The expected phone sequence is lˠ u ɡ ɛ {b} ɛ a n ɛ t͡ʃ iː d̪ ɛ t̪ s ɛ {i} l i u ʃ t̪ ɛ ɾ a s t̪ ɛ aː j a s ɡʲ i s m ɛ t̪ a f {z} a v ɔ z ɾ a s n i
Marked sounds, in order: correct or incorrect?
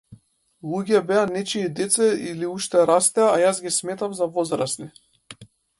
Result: correct, correct, correct

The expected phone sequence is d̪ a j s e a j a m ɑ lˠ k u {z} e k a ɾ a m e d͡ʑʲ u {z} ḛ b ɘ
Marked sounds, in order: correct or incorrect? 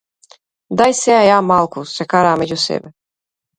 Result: incorrect: s, incorrect: s

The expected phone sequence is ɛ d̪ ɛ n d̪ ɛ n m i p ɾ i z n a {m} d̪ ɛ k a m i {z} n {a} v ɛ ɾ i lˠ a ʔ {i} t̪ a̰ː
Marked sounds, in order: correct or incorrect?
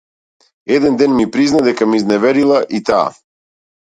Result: incorrect: none, correct, incorrect: ɛ, correct

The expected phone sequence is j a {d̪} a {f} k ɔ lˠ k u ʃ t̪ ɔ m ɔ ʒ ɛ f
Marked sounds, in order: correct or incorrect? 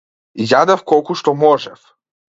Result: correct, correct

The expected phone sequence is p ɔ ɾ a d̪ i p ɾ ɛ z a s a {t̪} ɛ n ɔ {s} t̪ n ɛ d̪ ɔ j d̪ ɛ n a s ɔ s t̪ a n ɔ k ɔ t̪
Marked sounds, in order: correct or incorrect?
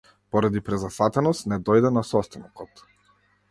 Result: correct, correct

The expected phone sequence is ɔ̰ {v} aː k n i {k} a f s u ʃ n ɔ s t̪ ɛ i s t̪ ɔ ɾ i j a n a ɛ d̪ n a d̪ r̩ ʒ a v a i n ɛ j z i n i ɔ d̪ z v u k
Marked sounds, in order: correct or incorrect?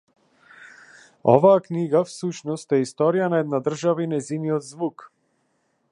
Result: correct, incorrect: ɡ

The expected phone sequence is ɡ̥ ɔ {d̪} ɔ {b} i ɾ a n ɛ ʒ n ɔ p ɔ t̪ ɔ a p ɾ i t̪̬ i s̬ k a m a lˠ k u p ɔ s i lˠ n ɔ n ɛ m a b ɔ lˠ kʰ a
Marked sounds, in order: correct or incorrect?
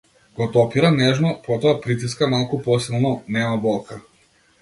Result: incorrect: t̪, incorrect: p

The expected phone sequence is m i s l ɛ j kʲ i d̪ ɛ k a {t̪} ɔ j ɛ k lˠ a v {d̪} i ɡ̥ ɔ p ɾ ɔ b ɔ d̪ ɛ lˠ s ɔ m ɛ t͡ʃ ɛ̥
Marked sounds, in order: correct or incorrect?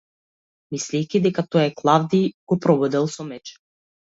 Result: correct, correct

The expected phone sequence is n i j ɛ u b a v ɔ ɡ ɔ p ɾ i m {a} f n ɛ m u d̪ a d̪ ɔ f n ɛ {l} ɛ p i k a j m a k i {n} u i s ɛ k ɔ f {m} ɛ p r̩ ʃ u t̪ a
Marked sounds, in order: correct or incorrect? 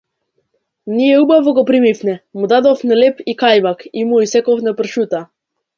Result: incorrect: i, correct, incorrect: m, incorrect: n

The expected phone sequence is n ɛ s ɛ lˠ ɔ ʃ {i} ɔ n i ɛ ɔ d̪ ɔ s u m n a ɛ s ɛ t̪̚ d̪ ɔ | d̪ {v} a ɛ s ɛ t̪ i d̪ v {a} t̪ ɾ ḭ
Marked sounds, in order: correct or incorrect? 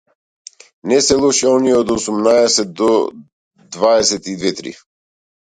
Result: incorrect: ɛ, correct, incorrect: ɛ

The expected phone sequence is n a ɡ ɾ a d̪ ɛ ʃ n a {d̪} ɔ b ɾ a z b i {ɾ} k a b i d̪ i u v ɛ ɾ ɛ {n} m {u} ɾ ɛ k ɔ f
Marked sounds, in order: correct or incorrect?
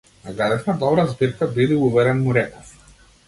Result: correct, correct, correct, correct

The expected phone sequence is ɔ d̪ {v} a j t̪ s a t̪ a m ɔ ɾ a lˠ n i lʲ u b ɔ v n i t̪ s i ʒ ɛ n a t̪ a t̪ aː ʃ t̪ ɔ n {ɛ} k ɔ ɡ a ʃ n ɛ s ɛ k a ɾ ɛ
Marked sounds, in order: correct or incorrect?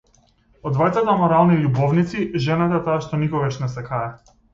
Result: correct, incorrect: i

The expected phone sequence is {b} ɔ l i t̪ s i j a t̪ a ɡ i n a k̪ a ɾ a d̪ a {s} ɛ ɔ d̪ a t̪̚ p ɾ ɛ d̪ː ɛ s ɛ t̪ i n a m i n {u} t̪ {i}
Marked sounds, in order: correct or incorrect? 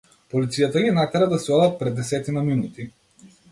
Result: incorrect: p, correct, correct, correct

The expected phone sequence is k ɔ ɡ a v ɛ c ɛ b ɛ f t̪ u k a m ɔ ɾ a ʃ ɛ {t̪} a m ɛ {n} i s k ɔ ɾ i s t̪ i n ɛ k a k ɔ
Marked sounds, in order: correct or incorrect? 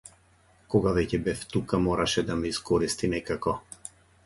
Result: incorrect: d̪, incorrect: none

